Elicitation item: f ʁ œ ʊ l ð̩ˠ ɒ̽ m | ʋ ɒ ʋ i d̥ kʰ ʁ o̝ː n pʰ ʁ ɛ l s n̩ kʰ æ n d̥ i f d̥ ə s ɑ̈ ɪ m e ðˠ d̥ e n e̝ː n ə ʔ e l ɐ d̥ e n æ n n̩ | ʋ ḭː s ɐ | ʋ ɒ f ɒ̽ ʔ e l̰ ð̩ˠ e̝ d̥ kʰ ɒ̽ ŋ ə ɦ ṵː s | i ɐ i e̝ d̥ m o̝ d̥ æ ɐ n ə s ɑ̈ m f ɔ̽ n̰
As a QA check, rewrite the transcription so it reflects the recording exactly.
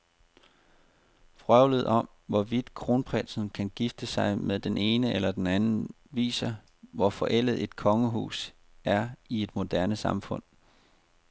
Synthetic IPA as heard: f ʁ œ ʊ l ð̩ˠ ɒ̽ m | ʋ ɒ ʋ i d̥ kʰ ʁ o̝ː n pʰ ʁ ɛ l s n̩ kʰ æ n ɡ̥ i f d̥ ə s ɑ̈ ɪ m e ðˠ d̥ e n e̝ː n ə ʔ e l ɐ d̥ e n æ n n̩ | ʋ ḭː s ɐ | ʋ ɒ f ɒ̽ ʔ e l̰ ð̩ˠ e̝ d̥ kʰ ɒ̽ ŋ ə ɦ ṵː s | æ ɐ i e̝ d̥ m o̝ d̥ æ ɐ n ə s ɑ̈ m f ɔ̽ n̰

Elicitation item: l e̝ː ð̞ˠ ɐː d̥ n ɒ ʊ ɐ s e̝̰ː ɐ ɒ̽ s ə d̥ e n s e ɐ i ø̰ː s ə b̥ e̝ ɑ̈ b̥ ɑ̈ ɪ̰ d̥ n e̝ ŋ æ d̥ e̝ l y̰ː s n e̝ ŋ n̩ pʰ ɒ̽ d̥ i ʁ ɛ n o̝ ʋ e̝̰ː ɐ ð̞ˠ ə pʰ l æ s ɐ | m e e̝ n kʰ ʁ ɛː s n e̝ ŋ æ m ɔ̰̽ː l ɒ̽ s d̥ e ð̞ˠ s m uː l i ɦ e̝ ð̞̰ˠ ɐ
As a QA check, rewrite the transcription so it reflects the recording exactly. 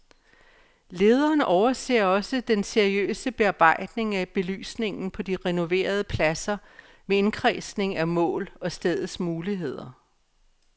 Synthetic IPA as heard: l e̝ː ð̞ˠ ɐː n ɒ ʊ ɐ s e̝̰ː ɐ ɒ̽ s ə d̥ e n s e ɐ i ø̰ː s ə b̥ e̝ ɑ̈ b̥ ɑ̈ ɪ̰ d̥ n e̝ ŋ æ b̥ e̝ l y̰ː s n e̝ ŋ n̩ pʰ ɒ̽ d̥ i ʁ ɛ n o̝ ʋ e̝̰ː ɐ ð̞ˠ ə pʰ l æ s ɐ | m e e̝ n kʰ ʁ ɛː s n e̝ ŋ æ m ɔ̰̽ː l ɒ̽ s d̥ e ð̞ˠ s m uː l i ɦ e̝ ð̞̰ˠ ɐ

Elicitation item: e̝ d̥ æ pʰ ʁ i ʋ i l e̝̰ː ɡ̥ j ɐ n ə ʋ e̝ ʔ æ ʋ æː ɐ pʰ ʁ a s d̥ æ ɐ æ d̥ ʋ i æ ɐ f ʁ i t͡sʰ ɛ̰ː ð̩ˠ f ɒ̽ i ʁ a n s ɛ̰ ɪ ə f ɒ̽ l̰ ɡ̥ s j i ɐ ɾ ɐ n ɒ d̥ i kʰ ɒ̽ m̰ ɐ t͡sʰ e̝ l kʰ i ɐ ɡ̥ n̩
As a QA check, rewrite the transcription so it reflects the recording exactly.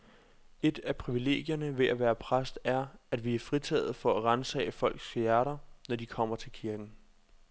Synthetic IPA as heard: e̝ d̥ æ pʰ ʁ i ʋ i l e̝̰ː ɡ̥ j ɐ n ə ʋ e̝ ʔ æ ʋ æː ɐ pʰ ʁ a s d̥ æ ɐ æ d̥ ʋ i æ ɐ f ʁ i t͡sʰ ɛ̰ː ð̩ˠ f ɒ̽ æ ʁ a n s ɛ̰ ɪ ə f ɒ̽ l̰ ɡ̥ s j æ ɐ ɾ ɐ n ɒ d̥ i kʰ ɒ̽ m̰ ɐ t͡sʰ e̝ l kʰ i ɐ ɡ̥ n̩

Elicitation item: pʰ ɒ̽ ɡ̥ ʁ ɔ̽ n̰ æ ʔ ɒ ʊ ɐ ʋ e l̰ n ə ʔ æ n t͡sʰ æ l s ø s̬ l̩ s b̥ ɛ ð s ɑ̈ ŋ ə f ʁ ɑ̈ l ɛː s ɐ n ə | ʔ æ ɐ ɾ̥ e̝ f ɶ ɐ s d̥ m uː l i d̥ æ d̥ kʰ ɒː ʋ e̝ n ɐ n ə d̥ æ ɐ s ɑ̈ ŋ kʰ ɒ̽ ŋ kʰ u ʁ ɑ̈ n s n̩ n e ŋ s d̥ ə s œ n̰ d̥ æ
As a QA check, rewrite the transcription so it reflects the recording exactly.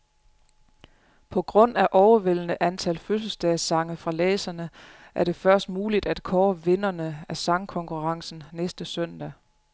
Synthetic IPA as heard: pʰ ɒ̽ ɡ̥ ʁ ɔ̽ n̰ æ ʔ ɒ ʊ ɐ ʋ e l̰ n ə ʔ æ n t͡sʰ æ l f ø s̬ l̩ s d̥ ɛ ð s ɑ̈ ŋ ə f ʁ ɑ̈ l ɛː s ɐ n ə | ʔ æ ɐ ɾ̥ e̝ f ɶ ɐ s d̥ m uː l i d̥ æ d̥ kʰ ɒː ʋ e̝ n ɐ n ə æ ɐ s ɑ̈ ŋ kʰ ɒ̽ ŋ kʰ u ʁ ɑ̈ ŋ s n̩ n e s d̥ ə s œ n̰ d̥ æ

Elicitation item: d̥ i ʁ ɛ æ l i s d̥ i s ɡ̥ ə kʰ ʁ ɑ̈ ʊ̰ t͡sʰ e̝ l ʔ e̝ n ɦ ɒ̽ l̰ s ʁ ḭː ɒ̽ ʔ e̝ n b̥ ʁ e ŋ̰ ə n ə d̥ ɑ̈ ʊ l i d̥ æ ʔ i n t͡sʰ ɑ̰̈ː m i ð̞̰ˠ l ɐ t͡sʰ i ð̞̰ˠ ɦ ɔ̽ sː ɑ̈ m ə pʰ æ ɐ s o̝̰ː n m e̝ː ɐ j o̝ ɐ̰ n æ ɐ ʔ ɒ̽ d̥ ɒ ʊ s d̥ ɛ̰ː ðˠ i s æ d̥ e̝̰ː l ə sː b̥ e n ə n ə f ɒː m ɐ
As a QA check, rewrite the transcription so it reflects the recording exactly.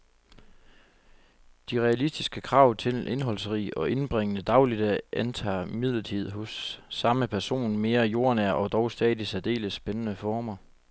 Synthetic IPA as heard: d̥ i ʁ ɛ æ l i s d̥ i s ɡ̥ ə kʰ ʁ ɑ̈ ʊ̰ t͡sʰ e̝ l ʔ e̝ n ɦ ɒ̽ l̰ s ʁ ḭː ɒ̽ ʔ e̝ n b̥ ʁ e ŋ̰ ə n ə d̥ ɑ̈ ʊ l i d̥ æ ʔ æ n t͡sʰ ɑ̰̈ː m i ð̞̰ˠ l ɐ t͡sʰ i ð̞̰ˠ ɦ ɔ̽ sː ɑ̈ m ə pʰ æ ɐ s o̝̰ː n m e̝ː ɐ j o̝ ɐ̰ n æ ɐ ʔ ɒ̽ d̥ ɒ ʊ s d̥ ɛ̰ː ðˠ i s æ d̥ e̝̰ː l ə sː b̥ e n ə n ə f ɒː m ɐ

